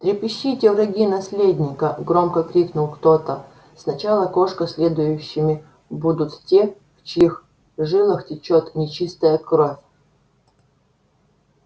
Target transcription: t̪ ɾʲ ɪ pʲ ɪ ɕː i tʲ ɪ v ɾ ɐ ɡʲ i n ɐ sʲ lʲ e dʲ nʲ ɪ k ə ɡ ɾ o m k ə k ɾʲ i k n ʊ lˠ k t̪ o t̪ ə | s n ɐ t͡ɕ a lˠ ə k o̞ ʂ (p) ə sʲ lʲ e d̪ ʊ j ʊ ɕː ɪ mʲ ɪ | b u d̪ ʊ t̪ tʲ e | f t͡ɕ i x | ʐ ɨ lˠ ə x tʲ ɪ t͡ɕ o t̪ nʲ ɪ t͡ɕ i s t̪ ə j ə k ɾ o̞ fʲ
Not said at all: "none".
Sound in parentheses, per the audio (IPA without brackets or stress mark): k